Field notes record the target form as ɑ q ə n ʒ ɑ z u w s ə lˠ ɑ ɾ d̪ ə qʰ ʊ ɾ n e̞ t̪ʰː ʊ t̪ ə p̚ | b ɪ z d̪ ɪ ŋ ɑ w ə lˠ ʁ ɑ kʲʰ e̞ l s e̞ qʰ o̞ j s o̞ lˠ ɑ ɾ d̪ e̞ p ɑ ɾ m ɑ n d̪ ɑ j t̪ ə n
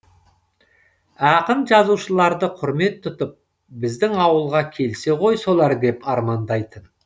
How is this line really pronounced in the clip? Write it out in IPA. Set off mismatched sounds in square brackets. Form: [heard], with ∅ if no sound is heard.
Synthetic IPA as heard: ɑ q ə n ʒ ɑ z u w [ʃ] ə lˠ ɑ ɾ d̪ ə qʰ ʊ ɾ [m] e̞ t̪ʰː ʊ t̪ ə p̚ | b ɪ z d̪ ɪ ŋ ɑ w ə lˠ ʁ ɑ kʲʰ e̞ l s e̞ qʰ o̞ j s o̞ lˠ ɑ ɾ d̪ e̞ p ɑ ɾ m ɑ n d̪ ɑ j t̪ ə n